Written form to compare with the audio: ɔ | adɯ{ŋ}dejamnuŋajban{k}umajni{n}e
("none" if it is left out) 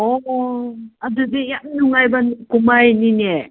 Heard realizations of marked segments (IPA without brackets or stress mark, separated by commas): none, k, n